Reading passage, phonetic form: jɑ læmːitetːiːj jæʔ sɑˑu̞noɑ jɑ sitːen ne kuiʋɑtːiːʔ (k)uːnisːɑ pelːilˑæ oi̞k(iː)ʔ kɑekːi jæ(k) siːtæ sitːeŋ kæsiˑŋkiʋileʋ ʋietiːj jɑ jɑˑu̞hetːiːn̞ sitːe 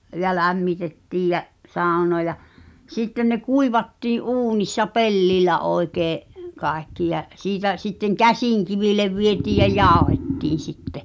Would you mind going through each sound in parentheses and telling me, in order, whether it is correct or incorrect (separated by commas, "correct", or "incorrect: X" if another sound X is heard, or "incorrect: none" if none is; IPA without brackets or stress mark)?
incorrect: ʔ, incorrect: eː, incorrect: ʔ